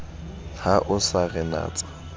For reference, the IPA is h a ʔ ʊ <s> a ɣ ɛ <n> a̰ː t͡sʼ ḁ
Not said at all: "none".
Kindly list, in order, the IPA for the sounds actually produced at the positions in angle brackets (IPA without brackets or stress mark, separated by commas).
s, n